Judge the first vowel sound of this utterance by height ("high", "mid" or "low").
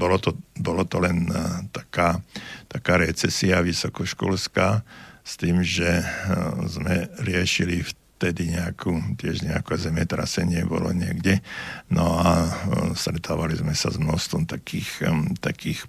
mid